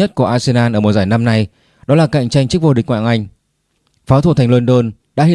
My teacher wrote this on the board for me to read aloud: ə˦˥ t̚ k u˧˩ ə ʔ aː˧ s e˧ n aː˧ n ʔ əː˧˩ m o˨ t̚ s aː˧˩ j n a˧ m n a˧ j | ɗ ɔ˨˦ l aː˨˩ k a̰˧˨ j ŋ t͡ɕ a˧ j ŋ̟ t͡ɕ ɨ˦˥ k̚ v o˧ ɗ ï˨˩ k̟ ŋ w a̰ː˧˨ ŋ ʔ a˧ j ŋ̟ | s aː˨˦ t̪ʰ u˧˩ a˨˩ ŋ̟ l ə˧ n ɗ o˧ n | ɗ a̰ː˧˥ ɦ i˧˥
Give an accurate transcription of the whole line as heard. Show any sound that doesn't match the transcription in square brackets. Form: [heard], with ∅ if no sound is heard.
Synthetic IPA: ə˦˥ t̚ k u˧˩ ə ʔ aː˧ s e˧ n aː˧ n ʔ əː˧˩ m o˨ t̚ [z] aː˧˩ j n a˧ m n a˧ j | ɗ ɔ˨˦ l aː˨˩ k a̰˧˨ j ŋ t͡ɕ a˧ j ŋ̟ t͡ɕ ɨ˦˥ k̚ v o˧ ɗ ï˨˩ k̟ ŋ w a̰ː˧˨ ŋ ʔ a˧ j ŋ̟ | [f] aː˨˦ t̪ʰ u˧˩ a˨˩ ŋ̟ l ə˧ n ɗ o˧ n | ɗ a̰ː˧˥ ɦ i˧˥